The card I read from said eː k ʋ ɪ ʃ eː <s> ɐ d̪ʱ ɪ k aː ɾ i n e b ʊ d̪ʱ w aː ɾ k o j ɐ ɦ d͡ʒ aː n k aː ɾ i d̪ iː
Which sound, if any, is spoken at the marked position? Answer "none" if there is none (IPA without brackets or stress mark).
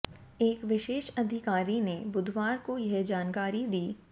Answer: ʃ